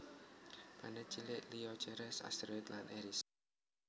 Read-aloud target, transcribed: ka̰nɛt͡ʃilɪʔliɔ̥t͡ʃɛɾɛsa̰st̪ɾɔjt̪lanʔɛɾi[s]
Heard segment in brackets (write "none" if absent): s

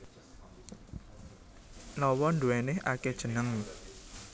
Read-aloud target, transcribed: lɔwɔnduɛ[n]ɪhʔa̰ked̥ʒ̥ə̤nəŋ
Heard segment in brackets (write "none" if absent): n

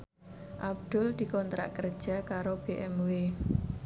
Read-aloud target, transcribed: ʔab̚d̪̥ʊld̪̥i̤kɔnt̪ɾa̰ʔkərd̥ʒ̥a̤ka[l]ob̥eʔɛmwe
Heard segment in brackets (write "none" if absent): ɾ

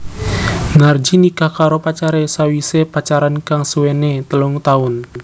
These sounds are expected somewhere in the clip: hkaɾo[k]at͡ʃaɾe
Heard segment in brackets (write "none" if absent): p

